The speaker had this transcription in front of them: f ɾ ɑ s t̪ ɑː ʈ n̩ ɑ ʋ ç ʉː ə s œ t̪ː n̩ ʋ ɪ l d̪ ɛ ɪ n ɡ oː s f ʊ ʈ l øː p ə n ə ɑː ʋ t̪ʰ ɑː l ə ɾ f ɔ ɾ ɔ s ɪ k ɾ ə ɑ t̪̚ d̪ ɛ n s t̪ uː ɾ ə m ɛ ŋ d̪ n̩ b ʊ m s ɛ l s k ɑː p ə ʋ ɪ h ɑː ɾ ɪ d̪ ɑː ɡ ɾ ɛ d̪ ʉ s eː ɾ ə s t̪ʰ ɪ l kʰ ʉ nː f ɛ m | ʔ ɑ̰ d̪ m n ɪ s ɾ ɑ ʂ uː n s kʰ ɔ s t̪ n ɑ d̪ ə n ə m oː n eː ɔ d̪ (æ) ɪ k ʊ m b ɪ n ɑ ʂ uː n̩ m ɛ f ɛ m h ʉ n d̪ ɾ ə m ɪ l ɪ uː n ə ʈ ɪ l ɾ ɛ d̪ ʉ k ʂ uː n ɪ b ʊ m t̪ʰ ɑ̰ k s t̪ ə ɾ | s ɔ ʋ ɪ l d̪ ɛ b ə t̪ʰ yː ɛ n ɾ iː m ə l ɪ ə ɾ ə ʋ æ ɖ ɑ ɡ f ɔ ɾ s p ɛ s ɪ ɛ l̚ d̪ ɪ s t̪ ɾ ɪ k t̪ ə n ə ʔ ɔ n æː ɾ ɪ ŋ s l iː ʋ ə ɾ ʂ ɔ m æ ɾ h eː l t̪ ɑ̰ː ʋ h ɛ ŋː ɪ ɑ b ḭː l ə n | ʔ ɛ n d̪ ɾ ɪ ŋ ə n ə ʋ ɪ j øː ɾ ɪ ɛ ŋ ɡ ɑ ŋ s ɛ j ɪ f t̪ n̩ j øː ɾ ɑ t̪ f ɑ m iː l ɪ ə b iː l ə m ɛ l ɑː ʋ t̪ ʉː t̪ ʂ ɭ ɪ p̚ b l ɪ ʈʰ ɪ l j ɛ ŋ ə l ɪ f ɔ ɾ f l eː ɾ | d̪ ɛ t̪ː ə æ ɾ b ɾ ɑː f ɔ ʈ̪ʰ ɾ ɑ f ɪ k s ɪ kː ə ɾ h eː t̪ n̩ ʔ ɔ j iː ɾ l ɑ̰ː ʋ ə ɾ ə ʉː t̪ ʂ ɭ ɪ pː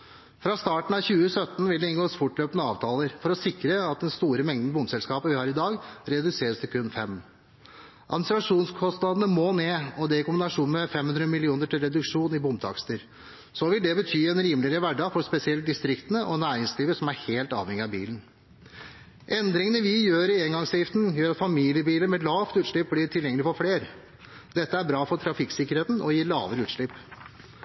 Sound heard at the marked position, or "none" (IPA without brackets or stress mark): ɛ